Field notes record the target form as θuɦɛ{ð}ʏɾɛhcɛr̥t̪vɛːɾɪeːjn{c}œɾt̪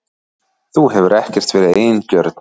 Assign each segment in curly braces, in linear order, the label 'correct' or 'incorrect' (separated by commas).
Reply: incorrect, correct